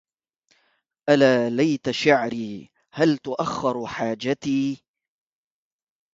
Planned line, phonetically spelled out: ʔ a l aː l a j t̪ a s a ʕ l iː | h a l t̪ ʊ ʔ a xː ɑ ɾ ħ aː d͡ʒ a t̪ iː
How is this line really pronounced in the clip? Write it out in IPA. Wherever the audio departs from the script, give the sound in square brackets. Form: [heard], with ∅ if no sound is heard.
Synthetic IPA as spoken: ʔ a l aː l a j t̪ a [ʃ] a ʕ [ɾ] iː | h a l t̪ ʊ ʔ a xː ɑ ɾ ħ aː d͡ʒ a t̪ iː

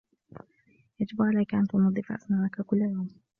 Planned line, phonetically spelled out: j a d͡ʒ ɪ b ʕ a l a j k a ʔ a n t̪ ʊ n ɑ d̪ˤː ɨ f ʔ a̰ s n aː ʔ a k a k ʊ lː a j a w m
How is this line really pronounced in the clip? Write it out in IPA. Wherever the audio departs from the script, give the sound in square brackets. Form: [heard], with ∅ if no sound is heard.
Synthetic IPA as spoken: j a d͡ʒ ɪ b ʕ a l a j k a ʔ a n t̪ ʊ n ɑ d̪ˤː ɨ f ʔ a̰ s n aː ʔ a k a k ʊ lː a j a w m

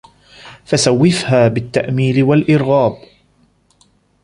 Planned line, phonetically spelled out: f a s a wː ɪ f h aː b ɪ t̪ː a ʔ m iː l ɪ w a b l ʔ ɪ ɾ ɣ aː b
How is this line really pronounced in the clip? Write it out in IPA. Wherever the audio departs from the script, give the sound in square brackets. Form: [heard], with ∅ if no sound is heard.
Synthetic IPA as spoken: f a s a wː ɪ f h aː b ɪ t̪ː a ʔ m iː l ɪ w a [∅] l ʔ ɪ ɾ ɣ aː b

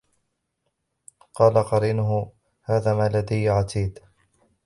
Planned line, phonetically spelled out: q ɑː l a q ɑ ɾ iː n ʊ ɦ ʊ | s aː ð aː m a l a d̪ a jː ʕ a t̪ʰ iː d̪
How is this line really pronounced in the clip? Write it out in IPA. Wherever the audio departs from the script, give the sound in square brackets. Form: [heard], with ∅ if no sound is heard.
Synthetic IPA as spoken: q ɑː l a q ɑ ɾ iː n ʊ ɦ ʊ | [h] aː ð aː m a l a d̪ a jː ʕ a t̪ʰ iː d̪

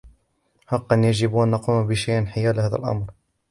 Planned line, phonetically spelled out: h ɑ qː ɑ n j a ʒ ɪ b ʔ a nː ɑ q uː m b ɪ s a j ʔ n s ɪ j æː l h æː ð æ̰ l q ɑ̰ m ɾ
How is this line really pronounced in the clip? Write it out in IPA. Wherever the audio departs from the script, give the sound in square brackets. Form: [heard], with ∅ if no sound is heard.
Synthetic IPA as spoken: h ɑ qː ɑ n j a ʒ ɪ b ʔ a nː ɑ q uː m b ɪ [ʃ] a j ʔ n [ħ] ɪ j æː l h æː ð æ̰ l [ʔ] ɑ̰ m ɾ

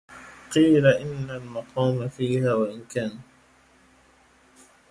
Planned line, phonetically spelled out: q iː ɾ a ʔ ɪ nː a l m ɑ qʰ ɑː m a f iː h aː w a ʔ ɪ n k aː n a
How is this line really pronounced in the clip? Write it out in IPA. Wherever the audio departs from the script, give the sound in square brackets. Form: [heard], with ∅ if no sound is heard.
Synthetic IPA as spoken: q iː [l] a ʔ ɪ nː a l m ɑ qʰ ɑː m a f iː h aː w a ʔ ɪ n k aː n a

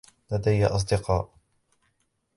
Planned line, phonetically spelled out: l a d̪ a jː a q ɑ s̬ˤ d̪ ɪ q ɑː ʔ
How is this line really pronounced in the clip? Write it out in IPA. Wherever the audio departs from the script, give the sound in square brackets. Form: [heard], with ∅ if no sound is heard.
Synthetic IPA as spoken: l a d̪ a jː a [ʔ] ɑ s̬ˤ d̪ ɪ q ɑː ʔ

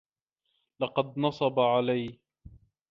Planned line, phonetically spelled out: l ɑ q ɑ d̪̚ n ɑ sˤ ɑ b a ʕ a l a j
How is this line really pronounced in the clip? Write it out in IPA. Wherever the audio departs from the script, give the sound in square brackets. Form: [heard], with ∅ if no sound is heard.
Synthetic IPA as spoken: l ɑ q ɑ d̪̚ n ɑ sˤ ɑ b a ʕ a l a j

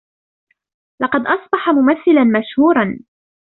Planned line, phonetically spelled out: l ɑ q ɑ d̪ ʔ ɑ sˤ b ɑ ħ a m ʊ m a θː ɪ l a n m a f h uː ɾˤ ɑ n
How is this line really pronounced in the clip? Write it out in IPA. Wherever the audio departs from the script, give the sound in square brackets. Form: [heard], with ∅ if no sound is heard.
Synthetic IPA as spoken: l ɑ q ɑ d̪ ʔ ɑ sˤ b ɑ ħ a m ʊ m a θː ɪ l a n m a [ʃ] h uː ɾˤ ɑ n

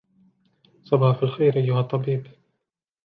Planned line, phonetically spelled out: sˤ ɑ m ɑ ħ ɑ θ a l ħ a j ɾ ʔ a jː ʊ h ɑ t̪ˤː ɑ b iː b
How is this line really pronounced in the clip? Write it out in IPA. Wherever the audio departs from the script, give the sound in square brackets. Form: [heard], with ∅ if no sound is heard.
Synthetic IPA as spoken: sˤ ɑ [b] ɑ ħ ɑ [f] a l [x] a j ɾ ʔ a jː ʊ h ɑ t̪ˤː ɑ b iː b

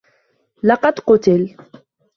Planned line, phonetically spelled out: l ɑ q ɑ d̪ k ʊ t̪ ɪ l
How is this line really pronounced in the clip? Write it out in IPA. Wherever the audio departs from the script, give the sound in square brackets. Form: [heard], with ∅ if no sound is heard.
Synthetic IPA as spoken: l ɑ q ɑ d̪ [q] ʊ t̪ ɪ l

